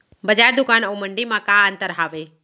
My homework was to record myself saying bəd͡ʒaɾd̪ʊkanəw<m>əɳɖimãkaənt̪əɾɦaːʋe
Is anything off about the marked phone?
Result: no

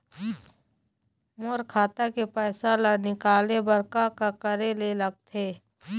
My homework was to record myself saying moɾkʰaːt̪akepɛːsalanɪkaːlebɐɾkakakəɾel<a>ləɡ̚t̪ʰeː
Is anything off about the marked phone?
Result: yes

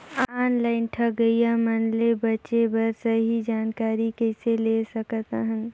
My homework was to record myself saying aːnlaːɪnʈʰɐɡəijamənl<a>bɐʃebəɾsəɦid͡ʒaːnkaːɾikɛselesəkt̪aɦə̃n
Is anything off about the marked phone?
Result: yes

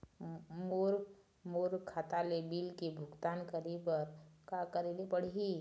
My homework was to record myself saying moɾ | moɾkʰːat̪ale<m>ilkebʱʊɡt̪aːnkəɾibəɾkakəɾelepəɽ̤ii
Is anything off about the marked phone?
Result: yes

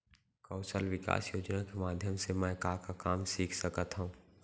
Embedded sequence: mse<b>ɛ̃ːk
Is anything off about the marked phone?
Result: yes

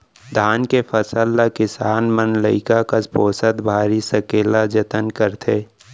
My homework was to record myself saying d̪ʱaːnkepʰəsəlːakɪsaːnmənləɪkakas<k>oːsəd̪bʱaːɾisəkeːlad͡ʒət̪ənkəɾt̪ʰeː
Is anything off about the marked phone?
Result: yes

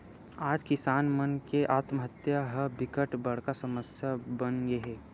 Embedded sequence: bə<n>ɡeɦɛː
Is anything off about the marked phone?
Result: no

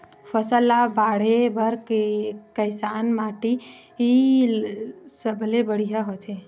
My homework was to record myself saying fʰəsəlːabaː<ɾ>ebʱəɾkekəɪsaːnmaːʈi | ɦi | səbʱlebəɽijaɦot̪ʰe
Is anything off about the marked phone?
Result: yes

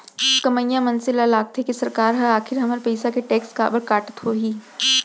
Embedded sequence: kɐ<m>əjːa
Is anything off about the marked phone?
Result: no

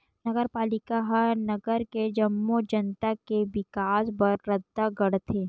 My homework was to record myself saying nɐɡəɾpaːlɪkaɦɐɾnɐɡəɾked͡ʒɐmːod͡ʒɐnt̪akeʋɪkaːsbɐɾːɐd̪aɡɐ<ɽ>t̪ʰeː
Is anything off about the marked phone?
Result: no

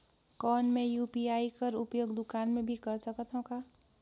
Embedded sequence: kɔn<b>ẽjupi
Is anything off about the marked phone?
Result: yes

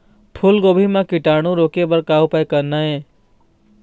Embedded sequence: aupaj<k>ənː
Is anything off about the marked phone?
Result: no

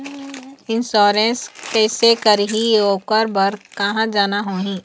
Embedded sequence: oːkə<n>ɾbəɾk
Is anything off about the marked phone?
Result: yes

